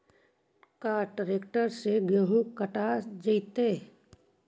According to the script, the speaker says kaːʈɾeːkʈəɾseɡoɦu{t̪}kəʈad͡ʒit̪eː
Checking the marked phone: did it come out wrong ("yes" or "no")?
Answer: yes